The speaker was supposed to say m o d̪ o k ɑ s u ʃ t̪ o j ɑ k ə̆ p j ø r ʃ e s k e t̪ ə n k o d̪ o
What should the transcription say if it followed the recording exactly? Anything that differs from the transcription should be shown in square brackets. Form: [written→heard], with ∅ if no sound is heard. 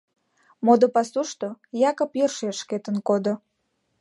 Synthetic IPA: m o d̪ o [k→p] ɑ s u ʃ t̪ o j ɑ k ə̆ p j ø r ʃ e [s→ʃ] k e t̪ ə n k o d̪ o